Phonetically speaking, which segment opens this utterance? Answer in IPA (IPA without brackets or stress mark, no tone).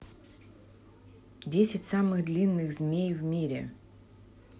dʲ